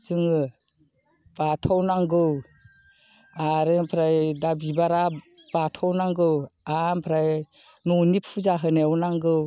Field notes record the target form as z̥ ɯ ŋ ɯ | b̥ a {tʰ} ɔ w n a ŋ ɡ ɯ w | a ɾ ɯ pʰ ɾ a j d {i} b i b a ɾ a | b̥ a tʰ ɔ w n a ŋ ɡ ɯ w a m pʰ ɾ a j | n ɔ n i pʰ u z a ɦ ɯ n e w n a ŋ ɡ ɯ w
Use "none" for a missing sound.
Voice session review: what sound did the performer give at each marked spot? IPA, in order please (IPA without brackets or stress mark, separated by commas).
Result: tʰ, a